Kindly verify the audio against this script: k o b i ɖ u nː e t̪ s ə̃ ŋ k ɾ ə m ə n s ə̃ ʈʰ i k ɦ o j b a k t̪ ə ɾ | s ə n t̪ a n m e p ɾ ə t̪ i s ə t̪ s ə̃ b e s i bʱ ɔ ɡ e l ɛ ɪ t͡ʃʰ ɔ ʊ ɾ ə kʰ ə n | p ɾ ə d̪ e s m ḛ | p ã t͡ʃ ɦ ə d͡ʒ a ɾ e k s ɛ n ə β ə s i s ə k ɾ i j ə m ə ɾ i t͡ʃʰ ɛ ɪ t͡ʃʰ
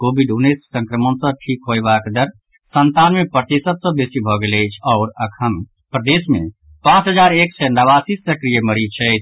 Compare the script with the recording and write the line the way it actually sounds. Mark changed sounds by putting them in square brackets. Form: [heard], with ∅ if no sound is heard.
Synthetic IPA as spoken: k o b i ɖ u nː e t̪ s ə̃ ŋ k ɾ ə m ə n s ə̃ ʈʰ i k ɦ o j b a k [d̪] ə ɾ | s ə n t̪ a n m e p ɾ ə t̪ i s ə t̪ s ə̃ b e s i bʱ ɔ ɡ e l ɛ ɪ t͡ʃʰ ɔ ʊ ɾ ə kʰ ə n | p ɾ ə d̪ e s m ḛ | p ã t͡ʃ ɦ ə d͡ʒ a ɾ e k s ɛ n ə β [a] s i s ə k ɾ i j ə m ə ɾ i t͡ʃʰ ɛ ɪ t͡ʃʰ